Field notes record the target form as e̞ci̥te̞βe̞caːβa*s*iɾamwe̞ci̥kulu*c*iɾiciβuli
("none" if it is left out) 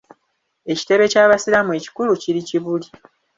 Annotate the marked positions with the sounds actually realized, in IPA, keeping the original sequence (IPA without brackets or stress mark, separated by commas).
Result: s, c